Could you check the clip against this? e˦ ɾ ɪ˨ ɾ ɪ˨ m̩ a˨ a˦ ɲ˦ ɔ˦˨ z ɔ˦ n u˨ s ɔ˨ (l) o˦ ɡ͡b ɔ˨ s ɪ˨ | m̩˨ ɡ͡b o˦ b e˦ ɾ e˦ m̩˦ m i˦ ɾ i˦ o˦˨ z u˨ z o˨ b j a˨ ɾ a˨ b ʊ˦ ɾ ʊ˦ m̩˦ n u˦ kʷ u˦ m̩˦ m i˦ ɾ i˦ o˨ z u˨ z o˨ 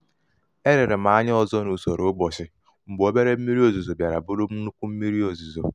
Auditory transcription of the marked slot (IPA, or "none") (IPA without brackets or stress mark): ɾ